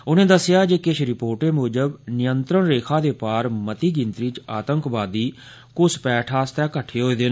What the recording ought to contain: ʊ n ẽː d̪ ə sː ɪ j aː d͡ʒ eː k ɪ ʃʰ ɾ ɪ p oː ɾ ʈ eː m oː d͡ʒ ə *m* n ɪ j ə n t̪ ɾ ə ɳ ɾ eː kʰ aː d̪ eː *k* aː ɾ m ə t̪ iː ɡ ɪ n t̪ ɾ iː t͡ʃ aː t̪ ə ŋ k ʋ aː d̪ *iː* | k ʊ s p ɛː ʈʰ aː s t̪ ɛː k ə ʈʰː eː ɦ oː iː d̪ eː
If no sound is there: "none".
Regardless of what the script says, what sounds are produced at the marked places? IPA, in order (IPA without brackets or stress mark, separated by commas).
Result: b, p, iː